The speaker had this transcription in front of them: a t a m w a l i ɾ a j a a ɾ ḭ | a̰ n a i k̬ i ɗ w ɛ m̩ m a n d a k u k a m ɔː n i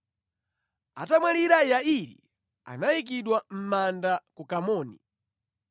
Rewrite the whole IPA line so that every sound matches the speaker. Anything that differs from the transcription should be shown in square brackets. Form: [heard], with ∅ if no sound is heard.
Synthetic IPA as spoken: a t a m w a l i ɾ a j a [i] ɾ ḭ | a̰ n a i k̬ i ɗ w [a] m̩ m a n d a k u k a m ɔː n i